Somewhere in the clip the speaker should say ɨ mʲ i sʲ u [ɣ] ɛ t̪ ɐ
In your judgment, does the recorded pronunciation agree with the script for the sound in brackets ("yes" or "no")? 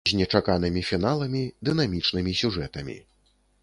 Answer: no